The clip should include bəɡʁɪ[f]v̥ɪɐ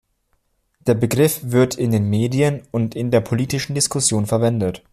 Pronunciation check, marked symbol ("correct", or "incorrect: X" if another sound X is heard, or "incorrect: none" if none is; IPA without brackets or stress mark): correct